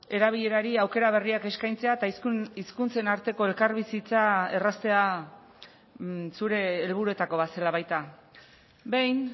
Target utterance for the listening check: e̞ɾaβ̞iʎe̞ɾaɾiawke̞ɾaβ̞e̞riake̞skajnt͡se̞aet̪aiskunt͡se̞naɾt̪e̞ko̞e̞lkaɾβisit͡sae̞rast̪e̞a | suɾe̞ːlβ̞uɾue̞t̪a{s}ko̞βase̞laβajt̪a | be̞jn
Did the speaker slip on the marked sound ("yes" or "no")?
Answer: yes